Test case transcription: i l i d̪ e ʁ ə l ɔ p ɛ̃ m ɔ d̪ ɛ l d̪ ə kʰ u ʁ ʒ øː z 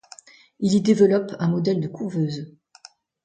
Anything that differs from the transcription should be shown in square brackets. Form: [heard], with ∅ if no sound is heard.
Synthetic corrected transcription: i l i d̪ e [v] ə l ɔ p ɛ̃ m ɔ d̪ ɛ l d̪ ə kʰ u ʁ [v] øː z